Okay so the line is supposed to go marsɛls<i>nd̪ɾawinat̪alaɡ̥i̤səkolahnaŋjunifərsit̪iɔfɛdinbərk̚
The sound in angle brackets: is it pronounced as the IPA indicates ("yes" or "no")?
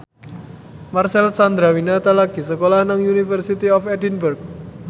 no